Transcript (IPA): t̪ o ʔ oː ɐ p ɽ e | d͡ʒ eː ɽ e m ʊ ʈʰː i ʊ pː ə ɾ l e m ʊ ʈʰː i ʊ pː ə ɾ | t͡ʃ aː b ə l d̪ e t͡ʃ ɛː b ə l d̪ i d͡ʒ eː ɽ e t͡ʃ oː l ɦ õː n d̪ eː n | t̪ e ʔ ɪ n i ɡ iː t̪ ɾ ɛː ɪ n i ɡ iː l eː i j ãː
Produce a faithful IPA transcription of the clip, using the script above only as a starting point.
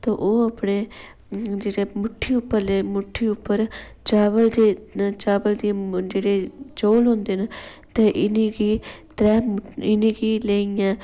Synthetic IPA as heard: t̪ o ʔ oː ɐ p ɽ e | d͡ʒ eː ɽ e m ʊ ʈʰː i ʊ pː ə ɾ l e m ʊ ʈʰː i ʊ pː ə ɾ | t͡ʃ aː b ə l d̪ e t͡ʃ aː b ə l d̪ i d͡ʒ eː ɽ e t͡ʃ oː l ɦ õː n d̪ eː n | t̪ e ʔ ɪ n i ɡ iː t̪ ɾ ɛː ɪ n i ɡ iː l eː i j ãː